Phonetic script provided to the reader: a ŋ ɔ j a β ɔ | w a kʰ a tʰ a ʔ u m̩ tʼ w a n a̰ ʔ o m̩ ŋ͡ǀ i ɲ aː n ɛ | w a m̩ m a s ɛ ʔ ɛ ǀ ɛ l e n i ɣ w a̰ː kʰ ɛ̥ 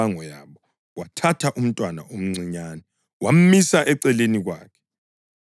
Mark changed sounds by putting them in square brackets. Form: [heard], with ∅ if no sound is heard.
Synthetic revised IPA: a ŋ ɔ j a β ɔ | w a [tʰ] a tʰ a ʔ u m̩ tʼ w a n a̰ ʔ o m̩ ŋ͡ǀ i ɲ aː n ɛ | w a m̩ m [i] s [a] ʔ ɛ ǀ ɛ l e n i ɣ w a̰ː kʰ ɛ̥